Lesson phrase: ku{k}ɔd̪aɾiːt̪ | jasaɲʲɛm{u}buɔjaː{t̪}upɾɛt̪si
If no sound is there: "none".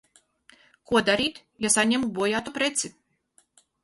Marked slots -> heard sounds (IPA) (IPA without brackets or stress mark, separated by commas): none, u, t̪